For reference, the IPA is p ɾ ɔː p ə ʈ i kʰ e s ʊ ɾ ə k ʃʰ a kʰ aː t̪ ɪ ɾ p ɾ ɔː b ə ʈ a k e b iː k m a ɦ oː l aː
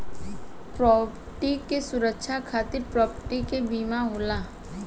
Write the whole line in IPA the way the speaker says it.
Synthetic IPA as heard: p ɾ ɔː p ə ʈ i k e s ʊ ɾ ə k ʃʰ a kʰ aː t̪ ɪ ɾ p ɾ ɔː p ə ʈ i k e b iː m a ɦ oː l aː